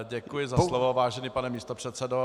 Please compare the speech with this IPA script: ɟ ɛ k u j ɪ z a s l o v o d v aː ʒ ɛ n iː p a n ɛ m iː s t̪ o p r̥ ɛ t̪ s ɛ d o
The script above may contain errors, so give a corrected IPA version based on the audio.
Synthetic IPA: ɟ ɛ k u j ɪ z a s l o v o v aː ʒ ɛ n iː p a n ɛ m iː s t̪ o p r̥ ɛ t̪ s ɛ d o